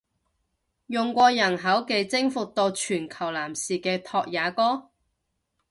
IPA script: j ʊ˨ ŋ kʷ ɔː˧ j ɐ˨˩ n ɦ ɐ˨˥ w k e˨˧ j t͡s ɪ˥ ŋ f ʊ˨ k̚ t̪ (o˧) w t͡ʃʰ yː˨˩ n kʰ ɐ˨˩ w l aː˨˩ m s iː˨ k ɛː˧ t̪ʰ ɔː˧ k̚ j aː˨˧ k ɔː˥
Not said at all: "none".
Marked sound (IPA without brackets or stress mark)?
o˧